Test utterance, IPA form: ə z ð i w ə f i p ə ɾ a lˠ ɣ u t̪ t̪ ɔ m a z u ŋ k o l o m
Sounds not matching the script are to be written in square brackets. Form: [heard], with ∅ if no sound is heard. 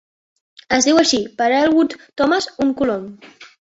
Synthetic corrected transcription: ə z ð i w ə [ʃ] i p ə ɾ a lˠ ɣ u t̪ t̪ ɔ m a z u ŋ k [u] l o m